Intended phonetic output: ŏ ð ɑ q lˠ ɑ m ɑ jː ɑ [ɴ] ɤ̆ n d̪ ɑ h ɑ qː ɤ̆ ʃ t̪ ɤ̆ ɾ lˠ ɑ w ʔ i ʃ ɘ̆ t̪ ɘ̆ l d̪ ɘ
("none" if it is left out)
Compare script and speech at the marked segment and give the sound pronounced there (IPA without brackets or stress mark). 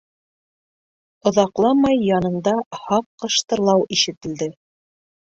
n